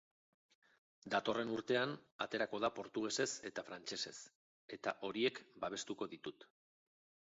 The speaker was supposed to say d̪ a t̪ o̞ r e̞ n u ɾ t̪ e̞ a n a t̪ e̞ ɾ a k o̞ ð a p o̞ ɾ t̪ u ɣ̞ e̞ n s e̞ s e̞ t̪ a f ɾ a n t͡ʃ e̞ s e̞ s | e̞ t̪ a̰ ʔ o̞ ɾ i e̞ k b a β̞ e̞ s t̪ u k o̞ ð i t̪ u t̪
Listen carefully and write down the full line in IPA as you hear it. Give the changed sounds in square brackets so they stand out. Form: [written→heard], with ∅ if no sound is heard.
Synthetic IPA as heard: d̪ a t̪ o̞ r e̞ n u ɾ t̪ e̞ a n a t̪ e̞ ɾ a k o̞ ð a p o̞ ɾ t̪ u ɣ̞ e̞ [n→∅] s e̞ s e̞ t̪ a f ɾ a n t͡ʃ e̞ s e̞ s | e̞ t̪ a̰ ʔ o̞ ɾ i e̞ k b a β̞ e̞ s t̪ u k o̞ ð i t̪ u t̪